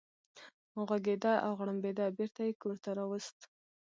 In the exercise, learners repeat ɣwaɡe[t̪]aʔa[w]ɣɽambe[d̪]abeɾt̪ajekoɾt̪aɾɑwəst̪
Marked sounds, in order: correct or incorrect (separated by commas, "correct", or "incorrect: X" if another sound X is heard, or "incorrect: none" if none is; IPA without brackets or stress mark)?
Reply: incorrect: d̪, correct, correct